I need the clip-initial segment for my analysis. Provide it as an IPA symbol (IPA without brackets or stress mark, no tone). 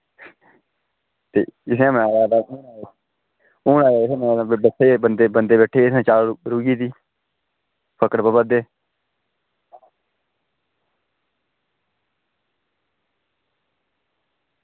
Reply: t̪